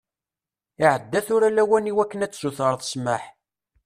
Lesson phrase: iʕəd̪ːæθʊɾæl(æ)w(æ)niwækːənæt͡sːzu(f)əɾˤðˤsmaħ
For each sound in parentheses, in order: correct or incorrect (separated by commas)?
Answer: correct, correct, incorrect